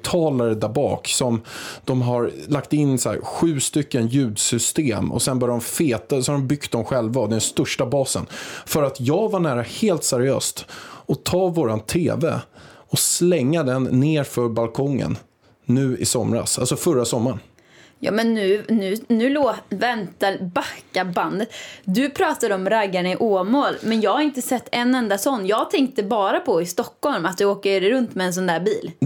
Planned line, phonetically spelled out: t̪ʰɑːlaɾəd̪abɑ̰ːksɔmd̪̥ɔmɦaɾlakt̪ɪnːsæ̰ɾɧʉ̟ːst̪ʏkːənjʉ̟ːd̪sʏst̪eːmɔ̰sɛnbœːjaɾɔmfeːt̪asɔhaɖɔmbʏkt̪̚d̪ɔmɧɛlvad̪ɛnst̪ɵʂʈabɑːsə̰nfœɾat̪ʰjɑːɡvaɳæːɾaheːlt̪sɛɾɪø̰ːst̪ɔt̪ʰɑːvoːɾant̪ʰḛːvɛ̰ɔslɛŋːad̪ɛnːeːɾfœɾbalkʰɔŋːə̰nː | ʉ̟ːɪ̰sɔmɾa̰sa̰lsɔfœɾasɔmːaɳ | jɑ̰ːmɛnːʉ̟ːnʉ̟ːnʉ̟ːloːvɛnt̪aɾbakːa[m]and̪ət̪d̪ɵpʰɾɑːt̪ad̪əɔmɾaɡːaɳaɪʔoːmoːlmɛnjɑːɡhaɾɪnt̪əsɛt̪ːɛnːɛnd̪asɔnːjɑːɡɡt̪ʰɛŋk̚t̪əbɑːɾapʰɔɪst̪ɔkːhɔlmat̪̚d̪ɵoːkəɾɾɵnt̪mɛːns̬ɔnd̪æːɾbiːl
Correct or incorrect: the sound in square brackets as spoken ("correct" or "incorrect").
incorrect